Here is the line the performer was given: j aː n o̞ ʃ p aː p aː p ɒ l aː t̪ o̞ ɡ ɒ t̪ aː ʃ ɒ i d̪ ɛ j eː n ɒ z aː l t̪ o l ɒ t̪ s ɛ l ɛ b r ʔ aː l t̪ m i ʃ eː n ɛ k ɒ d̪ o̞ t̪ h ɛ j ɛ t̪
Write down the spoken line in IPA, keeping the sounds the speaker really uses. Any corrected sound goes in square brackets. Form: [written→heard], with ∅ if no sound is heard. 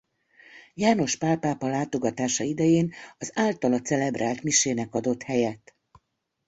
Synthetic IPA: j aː n o̞ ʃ p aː p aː p ɒ l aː t̪ o̞ ɡ ɒ t̪ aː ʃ ɒ i d̪ ɛ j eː n ɒ z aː l t̪ [o→ɒ] l ɒ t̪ s ɛ l ɛ b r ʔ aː l t̪ m i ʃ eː n ɛ k ɒ d̪ o̞ t̪ h ɛ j ɛ t̪